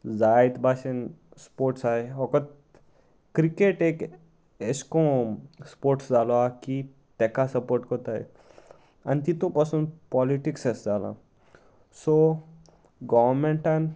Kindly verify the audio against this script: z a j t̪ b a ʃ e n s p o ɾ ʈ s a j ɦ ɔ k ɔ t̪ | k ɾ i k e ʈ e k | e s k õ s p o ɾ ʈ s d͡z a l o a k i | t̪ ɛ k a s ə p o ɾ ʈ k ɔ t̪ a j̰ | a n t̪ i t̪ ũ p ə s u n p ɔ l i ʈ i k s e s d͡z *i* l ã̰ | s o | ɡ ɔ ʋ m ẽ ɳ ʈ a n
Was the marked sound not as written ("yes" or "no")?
yes